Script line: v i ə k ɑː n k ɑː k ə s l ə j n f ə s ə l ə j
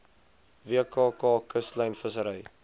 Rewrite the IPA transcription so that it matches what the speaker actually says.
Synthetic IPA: v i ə k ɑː k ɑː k ə s l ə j n f ə s ə ɾ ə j